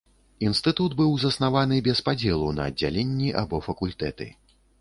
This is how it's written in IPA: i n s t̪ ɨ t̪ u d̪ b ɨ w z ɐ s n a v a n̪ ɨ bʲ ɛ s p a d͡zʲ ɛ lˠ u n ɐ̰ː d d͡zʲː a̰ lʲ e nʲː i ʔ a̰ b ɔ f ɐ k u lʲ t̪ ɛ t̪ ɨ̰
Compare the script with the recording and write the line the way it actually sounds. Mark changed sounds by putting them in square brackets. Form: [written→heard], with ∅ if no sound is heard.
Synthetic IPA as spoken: i n s t̪ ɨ t̪ u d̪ b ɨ w z ɐ s n a v a n̪ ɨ bʲ ɛ s p a d͡zʲ ɛ lˠ u n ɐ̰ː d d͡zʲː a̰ lʲ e nʲː i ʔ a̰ b ɔ f ɐ k u lʲ t̪ ɛ t̪ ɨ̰